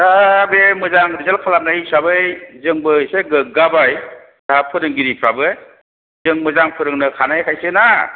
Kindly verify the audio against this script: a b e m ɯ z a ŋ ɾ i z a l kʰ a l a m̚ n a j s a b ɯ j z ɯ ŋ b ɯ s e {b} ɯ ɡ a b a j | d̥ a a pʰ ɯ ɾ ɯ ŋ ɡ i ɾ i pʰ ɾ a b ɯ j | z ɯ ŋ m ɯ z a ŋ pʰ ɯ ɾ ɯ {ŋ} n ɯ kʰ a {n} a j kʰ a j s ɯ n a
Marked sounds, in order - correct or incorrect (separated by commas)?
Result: incorrect, correct, correct